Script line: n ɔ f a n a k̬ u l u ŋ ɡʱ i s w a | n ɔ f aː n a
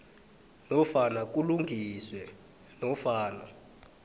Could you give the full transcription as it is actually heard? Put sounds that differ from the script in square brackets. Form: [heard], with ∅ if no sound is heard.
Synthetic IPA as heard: n ɔ f a n a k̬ u l u ŋ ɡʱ i s w [ɛ] | n ɔ f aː n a